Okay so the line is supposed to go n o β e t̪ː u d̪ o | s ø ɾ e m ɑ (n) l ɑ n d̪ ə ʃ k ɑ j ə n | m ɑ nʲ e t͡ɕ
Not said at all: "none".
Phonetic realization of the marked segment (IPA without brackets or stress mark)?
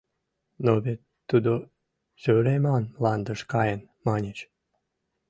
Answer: n